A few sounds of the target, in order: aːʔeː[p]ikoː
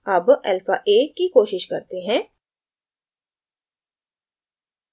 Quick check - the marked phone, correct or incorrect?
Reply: incorrect